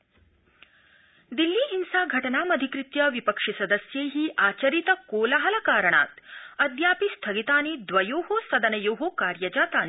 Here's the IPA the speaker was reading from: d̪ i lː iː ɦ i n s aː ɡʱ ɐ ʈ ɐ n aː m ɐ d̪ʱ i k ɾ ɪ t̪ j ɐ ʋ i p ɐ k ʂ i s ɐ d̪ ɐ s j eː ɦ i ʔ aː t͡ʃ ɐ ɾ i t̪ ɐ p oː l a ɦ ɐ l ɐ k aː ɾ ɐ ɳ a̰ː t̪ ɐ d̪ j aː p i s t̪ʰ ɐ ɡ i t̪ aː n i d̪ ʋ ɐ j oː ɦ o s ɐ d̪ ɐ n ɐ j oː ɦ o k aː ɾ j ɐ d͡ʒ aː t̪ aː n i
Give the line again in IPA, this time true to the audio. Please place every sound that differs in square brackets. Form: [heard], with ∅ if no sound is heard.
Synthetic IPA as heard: d̪ i lː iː ɦ i n s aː ɡʱ ɐ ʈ ɐ n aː m ɐ d̪ʱ i k ɾ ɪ t̪ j ɐ ʋ i p ɐ k ʂ i s ɐ d̪ ɐ s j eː ɦ i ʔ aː t͡ʃ ɐ ɾ i t̪ ɐ [k] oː l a ɦ ɐ l ɐ k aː ɾ ɐ ɳ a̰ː t̪ ɐ d̪ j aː p i s t̪ʰ ɐ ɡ i t̪ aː n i d̪ ʋ ɐ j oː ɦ o s ɐ d̪ ɐ n ɐ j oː ɦ o k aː ɾ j ɐ d͡ʒ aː t̪ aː n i

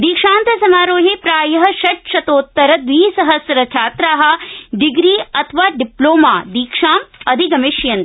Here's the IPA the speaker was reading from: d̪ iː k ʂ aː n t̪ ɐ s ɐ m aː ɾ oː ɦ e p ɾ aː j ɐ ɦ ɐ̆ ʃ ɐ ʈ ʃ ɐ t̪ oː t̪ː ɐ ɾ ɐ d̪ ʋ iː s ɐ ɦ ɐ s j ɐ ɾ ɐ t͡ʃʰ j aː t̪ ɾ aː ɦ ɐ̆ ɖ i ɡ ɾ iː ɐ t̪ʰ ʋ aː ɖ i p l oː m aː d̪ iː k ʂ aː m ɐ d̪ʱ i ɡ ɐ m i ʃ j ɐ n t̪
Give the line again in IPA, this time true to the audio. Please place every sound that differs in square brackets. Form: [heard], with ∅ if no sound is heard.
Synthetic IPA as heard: d̪ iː k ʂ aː n t̪ ɐ s ɐ m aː ɾ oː ɦ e p ɾ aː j ɐ ɦ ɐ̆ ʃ ɐ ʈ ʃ ɐ t̪ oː t̪ː ɐ ɾ ɐ d̪ ʋ iː s ɐ ɦ ɐ s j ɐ ɾ ɐ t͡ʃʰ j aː t̪ ɾ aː ɦ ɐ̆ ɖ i ɡ ɾ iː ɐ t̪ʰ ʋ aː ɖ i p l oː m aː d̪ iː k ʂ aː m ɐ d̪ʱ i ɡ ɐ m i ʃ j ɐ n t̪

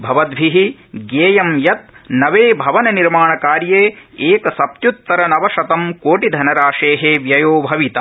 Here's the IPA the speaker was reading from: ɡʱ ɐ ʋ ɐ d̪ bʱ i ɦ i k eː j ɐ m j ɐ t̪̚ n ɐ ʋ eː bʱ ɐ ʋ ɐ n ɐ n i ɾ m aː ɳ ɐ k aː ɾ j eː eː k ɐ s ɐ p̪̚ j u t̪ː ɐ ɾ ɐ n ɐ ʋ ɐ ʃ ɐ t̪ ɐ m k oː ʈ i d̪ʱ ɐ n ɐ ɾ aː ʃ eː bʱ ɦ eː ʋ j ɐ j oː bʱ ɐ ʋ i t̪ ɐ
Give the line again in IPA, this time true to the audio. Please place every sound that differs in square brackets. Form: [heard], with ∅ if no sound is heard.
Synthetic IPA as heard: [bʱ] ɐ ʋ ɐ d̪ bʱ i ɦ i [ɡ] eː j ɐ m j ɐ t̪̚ n ɐ ʋ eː bʱ ɐ ʋ ɐ n ɐ n i ɾ m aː ɳ ɐ k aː ɾ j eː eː k ɐ s ɐ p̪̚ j u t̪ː ɐ ɾ ɐ n ɐ ʋ ɐ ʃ ɐ t̪ ɐ m k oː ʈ i d̪ʱ ɐ n ɐ ɾ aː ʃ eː [∅] ɦ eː ʋ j ɐ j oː bʱ ɐ ʋ i t̪ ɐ

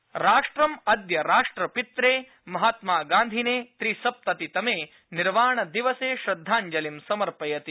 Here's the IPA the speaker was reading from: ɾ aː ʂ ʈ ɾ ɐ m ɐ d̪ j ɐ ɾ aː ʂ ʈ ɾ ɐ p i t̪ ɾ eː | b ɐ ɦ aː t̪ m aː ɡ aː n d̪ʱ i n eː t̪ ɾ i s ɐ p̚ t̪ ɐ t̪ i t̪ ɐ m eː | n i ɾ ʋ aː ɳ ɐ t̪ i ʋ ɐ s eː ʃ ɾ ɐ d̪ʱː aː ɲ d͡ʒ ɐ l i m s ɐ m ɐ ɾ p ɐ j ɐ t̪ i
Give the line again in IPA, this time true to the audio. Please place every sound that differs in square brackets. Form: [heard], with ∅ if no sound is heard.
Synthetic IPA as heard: ɾ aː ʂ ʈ ɾ ɐ m ɐ d̪ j ɐ ɾ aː ʂ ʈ ɾ ɐ p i t̪ ɾ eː | [m] ɐ ɦ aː t̪ m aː ɡ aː n d̪ʱ i n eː t̪ ɾ i s ɐ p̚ t̪ ɐ t̪ i t̪ ɐ m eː | n i ɾ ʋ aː ɳ ɐ [d̪] i ʋ ɐ s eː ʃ ɾ ɐ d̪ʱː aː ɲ d͡ʒ ɐ l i m s ɐ m ɐ ɾ p ɐ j ɐ t̪ i

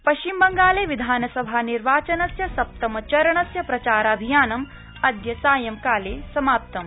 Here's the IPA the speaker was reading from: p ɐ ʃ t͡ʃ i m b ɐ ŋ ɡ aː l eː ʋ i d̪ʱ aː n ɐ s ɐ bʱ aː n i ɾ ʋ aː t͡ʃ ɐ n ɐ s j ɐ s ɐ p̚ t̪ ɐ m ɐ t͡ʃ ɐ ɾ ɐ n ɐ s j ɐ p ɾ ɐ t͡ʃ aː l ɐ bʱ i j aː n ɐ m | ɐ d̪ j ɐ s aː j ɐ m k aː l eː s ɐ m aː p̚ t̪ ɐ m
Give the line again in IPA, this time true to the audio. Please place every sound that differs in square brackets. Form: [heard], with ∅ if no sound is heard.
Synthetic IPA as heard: p ɐ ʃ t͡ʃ i m b ɐ ŋ ɡ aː l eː ʋ i d̪ʱ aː n ɐ s ɐ bʱ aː n i ɾ ʋ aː t͡ʃ ɐ n ɐ s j ɐ s ɐ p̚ t̪ ɐ m ɐ t͡ʃ ɐ ɾ ɐ [ɳ] ɐ s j ɐ p ɾ ɐ t͡ʃ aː [ɾ] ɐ bʱ i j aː n ɐ m | ɐ d̪ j ɐ s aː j ɐ m k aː l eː s ɐ m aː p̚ t̪ ɐ m

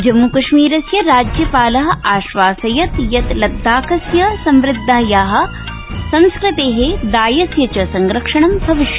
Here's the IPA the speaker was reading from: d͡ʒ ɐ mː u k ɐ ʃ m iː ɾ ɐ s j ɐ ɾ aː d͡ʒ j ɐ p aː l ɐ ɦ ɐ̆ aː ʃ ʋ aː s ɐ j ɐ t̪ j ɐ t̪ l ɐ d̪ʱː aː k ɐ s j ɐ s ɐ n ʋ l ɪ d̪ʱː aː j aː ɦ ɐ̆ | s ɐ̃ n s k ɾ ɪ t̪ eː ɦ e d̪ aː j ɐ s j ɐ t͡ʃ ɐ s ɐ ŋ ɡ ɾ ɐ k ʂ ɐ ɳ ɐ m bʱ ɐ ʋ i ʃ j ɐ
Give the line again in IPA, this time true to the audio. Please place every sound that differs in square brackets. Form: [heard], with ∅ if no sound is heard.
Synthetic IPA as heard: d͡ʒ ɐ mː u k ɐ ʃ m iː ɾ ɐ s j ɐ ɾ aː d͡ʒ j ɐ p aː l ɐ ɦ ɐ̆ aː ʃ ʋ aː s ɐ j ɐ t̪ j ɐ t̪ l ɐ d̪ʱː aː k ɐ s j ɐ s ɐ [m] ʋ [ɾ] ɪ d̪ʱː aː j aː ɦ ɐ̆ | s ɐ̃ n s k ɾ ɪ t̪ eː ɦ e d̪ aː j ɐ s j ɐ t͡ʃ ɐ s ɐ ŋ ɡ ɾ ɐ k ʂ ɐ ɳ ɐ m bʱ ɐ ʋ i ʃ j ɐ

